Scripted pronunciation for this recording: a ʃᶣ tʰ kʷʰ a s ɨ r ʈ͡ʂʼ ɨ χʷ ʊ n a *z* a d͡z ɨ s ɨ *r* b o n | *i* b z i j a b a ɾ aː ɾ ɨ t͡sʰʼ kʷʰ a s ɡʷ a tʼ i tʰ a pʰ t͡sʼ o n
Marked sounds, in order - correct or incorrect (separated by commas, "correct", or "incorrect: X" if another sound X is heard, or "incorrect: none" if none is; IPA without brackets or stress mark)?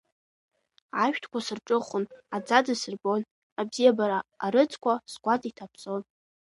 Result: incorrect: d͡z, correct, incorrect: a